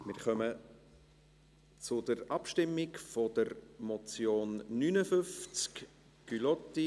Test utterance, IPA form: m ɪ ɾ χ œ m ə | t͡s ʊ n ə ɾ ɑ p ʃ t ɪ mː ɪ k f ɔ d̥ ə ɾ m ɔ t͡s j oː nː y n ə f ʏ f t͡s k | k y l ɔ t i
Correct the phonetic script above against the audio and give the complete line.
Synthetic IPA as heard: m ɪ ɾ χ œ m ə | t͡s ʊ d ə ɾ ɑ p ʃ t ɪ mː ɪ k f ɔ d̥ ə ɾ m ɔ t͡s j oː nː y n ə f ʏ f t͡s k | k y l ɔ t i